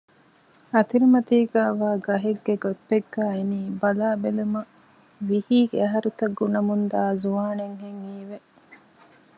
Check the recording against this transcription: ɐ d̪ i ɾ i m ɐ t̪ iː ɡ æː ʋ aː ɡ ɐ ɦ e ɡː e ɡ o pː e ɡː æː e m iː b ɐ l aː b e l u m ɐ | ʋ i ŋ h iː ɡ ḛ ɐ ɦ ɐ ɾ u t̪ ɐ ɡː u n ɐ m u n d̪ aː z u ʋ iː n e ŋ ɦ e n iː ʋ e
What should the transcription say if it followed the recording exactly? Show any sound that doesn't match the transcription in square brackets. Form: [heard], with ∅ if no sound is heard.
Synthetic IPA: ɐ [t̪] i ɾ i m ɐ t̪ iː ɡ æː ʋ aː ɡ ɐ ɦ e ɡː e ɡ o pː e ɡː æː e [n] iː b ɐ l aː b e l u m ɐ | ʋ i [∅] h iː ɡ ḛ ɐ ɦ ɐ ɾ u t̪ ɐ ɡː u n ɐ m u n d̪ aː z u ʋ [aː] n e ŋ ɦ e [ŋ] iː ʋ e